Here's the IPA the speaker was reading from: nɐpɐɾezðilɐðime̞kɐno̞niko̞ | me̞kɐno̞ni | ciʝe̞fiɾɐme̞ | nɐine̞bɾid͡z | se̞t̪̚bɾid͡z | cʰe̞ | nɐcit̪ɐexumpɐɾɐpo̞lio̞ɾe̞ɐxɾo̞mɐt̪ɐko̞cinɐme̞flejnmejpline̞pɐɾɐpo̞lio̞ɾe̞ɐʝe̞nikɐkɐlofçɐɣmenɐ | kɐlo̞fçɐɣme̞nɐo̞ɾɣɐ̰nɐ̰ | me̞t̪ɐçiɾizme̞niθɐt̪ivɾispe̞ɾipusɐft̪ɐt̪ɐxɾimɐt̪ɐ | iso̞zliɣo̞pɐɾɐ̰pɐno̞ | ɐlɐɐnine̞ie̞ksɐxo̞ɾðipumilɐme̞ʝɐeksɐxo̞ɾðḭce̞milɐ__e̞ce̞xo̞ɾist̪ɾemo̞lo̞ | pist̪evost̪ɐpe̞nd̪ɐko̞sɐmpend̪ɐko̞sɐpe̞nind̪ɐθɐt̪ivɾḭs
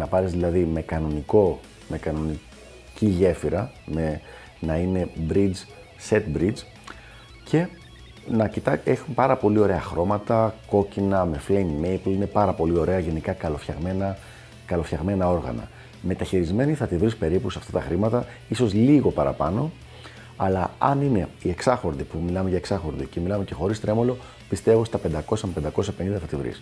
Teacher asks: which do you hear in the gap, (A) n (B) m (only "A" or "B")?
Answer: B